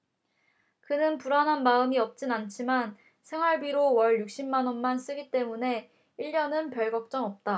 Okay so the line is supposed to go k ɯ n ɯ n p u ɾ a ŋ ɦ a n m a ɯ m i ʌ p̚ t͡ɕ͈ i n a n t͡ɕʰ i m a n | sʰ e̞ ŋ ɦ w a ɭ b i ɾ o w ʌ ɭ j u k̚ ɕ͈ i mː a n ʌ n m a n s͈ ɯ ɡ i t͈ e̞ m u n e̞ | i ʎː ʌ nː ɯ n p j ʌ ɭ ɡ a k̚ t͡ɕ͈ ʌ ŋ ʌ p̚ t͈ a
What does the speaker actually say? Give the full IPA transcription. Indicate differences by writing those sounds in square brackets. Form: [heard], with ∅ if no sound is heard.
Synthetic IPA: k ɯ n ɯ n p u ɾ a [n] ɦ a n m a ɯ m i ʌ p̚ t͡ɕ͈ i n a n t͡ɕʰ i m a n | sʰ e̞ ŋ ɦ w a ɭ b i ɾ o w ʌ ɭ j u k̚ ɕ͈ i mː a n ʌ n m a n s͈ ɯ ɡ i t͈ e̞ m u n e̞ | i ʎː ʌ [n] ɯ n p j ʌ ɭ ɡ [ʌ] k̚ t͡ɕ͈ ʌ ŋ ʌ p̚ t͈ a

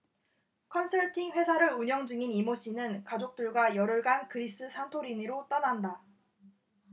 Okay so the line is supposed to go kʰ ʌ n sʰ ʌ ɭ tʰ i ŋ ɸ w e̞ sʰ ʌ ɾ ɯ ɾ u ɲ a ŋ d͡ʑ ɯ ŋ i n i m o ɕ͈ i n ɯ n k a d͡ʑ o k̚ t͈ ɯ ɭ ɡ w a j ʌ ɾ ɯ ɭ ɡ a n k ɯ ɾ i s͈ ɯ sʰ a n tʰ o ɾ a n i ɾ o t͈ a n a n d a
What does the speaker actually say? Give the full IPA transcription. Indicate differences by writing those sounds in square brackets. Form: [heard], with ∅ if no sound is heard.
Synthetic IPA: kʰ ʌ n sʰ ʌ ɭ tʰ i ŋ ɸ w e̞ sʰ [a] ɾ ɯ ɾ u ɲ [ʌ] ŋ d͡ʑ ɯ ŋ i n i m o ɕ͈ i n ɯ n k a d͡ʑ o k̚ t͈ ɯ ɭ ɡ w a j ʌ ɾ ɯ ɭ ɡ a n k ɯ ɾ i s͈ ɯ sʰ a n tʰ o ɾ [i] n i ɾ o t͈ a n a n d a

